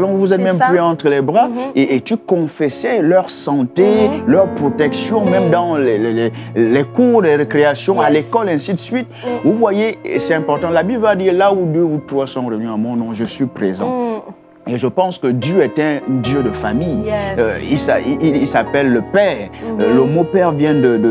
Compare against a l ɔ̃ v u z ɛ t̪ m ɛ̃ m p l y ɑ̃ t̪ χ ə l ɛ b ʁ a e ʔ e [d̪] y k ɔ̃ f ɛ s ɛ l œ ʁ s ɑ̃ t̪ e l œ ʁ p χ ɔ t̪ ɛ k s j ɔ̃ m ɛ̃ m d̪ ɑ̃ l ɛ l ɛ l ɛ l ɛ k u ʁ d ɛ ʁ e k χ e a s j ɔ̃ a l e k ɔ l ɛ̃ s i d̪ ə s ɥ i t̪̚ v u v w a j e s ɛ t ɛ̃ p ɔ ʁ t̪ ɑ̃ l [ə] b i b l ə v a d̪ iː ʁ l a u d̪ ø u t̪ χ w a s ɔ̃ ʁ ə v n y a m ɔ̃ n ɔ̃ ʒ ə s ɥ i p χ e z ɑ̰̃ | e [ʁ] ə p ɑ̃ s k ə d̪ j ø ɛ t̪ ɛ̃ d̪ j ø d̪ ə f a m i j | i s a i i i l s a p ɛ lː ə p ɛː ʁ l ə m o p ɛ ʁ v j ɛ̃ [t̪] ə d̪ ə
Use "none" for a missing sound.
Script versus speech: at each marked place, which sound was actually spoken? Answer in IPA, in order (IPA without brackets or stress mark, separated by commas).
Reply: t̪, a, ʒ, d̪